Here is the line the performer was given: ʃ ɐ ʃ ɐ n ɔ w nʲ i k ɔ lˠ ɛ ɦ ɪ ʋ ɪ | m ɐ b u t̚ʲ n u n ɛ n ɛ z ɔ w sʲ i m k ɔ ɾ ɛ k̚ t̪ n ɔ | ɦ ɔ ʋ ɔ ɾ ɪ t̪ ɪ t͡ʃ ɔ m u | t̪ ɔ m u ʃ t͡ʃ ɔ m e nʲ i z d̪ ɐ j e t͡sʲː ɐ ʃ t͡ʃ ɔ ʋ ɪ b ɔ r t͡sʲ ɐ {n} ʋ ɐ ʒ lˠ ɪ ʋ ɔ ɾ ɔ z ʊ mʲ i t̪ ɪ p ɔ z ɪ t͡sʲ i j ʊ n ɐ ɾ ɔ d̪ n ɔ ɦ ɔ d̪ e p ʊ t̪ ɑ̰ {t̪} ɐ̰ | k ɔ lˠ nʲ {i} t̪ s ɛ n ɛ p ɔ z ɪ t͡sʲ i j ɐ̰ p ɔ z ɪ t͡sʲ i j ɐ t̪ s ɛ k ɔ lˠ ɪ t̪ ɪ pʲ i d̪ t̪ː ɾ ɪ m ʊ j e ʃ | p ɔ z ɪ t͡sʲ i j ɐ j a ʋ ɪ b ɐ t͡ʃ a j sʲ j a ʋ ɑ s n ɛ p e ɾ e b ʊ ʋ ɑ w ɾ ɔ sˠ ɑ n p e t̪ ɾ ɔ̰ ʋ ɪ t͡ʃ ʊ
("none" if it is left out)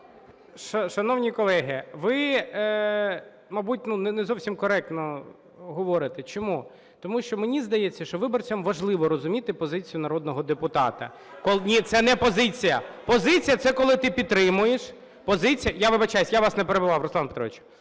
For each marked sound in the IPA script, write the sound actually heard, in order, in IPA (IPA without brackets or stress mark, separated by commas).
m, t̪, i